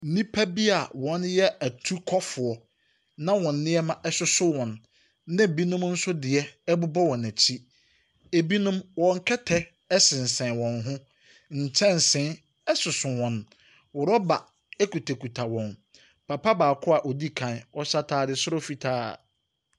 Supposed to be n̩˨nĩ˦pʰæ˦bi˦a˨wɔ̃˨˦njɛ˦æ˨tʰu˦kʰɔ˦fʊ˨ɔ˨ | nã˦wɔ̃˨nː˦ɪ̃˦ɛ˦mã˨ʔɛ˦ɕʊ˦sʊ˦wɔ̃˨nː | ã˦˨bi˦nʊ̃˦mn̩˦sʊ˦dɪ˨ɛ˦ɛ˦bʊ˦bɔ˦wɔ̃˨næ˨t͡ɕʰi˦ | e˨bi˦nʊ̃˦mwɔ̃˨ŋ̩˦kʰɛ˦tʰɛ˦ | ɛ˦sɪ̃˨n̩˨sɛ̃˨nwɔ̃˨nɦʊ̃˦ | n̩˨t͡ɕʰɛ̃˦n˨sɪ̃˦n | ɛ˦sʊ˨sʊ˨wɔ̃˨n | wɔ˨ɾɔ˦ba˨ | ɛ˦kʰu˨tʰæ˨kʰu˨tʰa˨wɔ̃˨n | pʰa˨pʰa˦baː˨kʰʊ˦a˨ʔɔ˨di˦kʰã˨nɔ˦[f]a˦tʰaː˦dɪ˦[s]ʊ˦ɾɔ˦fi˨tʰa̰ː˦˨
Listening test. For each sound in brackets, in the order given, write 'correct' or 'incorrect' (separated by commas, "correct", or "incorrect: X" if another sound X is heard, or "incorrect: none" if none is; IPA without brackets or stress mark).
incorrect: ɕ, correct